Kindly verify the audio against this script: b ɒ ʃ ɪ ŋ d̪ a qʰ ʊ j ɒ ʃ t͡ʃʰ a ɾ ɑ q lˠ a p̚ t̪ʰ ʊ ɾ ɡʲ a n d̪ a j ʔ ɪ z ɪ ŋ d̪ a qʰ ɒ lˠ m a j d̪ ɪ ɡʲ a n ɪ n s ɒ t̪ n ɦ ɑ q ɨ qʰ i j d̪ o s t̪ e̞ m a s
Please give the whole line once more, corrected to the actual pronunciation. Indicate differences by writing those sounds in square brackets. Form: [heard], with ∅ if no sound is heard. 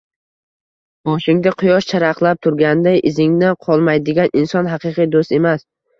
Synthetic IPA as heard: b ɒ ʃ ɪ ŋ d̪ a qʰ ʊ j ɒ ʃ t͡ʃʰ a ɾ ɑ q lˠ a p̚ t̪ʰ ʊ ɾ ɡʲ a n d̪ a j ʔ ɪ z ɪ ŋ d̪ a qʰ ɒ lˠ m a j d̪ ɪ ɡʲ a n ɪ n s ɒ [∅] n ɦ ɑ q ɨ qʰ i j d̪ o s t̪ e̞ m a s